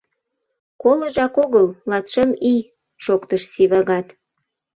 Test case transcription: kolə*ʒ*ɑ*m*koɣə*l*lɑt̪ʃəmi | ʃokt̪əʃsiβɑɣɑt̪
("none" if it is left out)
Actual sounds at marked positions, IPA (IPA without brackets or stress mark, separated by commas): ʒ, none, l